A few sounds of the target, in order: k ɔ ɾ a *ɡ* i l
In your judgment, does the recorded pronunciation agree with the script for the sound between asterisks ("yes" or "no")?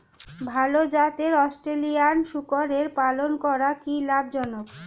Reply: no